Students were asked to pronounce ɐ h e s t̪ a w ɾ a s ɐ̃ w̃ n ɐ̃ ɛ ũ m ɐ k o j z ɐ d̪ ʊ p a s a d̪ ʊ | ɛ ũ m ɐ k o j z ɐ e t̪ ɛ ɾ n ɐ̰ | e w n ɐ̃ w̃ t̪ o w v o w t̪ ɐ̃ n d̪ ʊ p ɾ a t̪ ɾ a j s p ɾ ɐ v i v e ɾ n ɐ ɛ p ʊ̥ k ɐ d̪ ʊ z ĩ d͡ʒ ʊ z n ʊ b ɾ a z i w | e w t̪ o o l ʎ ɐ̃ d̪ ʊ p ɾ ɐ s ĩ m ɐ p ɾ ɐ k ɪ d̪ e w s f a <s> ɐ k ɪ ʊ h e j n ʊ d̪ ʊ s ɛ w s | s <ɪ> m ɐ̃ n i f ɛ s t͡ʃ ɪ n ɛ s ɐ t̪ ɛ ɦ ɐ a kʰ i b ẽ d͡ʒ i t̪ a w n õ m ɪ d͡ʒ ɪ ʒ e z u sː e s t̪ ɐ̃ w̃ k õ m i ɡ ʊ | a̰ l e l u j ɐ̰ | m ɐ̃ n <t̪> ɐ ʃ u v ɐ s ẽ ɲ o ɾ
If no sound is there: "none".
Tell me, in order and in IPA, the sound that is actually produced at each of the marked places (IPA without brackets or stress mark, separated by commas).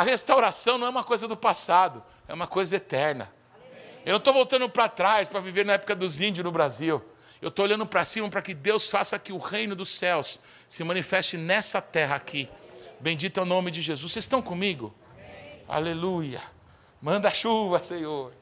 s, ɪ, d̪